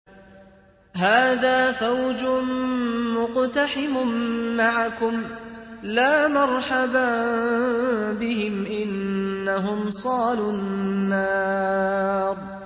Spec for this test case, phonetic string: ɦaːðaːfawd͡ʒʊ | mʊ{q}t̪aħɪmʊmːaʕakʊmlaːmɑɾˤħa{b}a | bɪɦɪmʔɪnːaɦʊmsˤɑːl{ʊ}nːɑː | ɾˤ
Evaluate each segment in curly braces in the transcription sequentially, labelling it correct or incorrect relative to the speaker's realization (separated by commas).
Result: correct, correct, correct